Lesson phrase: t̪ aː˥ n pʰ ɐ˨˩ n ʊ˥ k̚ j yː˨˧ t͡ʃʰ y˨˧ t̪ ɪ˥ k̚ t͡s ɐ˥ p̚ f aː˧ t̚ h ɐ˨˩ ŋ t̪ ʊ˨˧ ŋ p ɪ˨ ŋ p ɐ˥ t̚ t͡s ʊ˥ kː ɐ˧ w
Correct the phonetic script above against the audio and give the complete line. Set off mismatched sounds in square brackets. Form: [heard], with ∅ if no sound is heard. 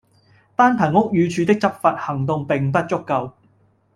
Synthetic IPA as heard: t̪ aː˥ n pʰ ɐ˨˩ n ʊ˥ k̚ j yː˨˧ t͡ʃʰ y˨˧ t̪ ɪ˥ k̚ t͡s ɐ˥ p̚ f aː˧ t̚ h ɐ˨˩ ŋ t̪ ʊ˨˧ ŋ p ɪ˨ ŋ p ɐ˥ t̚ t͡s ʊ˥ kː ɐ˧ w